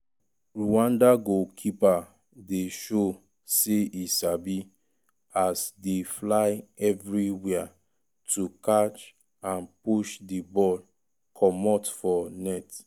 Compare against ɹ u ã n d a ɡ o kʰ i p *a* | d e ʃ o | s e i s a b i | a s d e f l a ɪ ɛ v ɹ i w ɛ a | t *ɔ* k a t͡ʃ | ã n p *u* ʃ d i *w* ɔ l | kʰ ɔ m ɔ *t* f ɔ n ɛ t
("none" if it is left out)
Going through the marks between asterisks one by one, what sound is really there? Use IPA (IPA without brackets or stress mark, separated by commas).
a, u, u, b, t